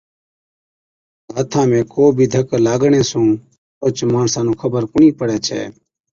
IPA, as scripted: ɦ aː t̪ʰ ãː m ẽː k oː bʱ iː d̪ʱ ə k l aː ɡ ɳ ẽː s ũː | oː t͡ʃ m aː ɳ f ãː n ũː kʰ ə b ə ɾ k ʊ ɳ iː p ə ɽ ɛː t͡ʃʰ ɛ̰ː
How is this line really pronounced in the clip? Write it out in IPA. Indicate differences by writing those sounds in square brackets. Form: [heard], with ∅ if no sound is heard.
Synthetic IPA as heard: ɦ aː t̪ʰ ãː m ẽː k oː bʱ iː d̪ʱ ə k l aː ɡ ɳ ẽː s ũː | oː t͡ʃ m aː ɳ [s] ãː n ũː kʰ ə b ə ɾ k ʊ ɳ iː p ə ɽ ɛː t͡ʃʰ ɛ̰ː